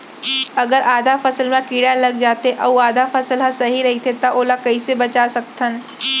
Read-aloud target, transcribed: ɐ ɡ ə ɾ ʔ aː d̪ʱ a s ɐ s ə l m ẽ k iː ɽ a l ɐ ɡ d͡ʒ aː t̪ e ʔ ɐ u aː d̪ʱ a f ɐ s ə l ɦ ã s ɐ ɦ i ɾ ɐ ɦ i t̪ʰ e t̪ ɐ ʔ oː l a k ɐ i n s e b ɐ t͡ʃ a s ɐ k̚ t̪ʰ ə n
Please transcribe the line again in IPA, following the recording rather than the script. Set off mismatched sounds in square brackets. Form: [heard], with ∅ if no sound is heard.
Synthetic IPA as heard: ɐ ɡ ə ɾ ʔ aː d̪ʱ a [f] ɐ s ə l m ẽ k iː ɽ a l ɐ ɡ d͡ʒ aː t̪ e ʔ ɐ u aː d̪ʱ a f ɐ s ə l ɦ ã s ɐ ɦ i ɾ ɐ ɦ i t̪ʰ e t̪ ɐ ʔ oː l a k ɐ i [∅] s e b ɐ t͡ʃ a s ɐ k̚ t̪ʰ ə n